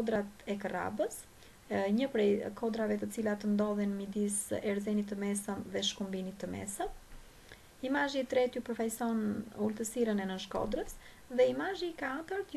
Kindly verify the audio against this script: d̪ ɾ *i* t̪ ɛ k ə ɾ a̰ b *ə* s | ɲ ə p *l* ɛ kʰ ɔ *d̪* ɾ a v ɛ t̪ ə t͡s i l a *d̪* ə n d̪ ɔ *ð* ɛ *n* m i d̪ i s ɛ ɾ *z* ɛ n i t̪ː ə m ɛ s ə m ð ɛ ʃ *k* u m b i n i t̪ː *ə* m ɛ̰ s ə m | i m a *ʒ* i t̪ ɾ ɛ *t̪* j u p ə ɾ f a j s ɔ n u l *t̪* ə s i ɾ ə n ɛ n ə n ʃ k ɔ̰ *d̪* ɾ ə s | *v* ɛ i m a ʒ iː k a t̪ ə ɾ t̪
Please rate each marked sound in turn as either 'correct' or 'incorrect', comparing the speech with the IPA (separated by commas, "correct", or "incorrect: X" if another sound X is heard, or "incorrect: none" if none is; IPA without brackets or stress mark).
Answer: incorrect: a, correct, incorrect: ɾ, correct, incorrect: t̪, correct, correct, correct, correct, correct, correct, correct, correct, correct, incorrect: ð